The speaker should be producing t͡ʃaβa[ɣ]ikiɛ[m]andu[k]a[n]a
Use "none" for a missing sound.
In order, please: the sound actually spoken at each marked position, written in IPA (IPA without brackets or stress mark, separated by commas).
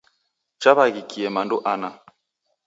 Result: ɣ, m, ʔ, n